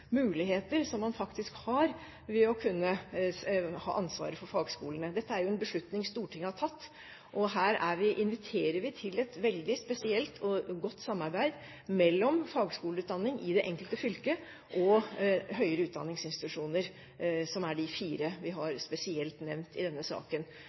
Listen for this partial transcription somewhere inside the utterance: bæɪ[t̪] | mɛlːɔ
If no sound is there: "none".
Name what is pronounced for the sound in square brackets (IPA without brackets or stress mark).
d̪